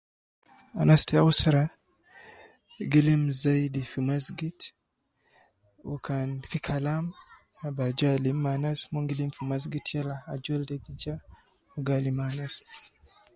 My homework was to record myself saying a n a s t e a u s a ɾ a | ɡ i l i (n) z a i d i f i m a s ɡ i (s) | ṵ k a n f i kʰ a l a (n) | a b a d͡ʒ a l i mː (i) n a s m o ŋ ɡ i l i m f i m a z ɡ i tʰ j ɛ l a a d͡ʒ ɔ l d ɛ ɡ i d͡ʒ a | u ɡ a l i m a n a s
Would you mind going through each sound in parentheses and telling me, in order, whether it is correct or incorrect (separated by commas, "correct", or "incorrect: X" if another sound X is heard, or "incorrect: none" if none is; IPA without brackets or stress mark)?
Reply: incorrect: m, incorrect: t, incorrect: m, incorrect: a